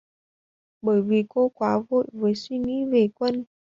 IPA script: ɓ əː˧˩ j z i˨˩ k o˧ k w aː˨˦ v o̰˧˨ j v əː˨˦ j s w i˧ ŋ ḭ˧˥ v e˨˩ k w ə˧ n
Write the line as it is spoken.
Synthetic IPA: ɓ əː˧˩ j v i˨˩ k o˧ k w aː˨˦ v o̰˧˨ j v əː˨˦ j s w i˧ ŋ ḭ˧˥ v e˨˩ k w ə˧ n